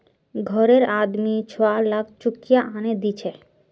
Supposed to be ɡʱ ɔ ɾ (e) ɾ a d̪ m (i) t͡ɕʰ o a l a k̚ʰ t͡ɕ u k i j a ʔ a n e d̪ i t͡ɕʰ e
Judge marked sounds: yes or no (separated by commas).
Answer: yes, yes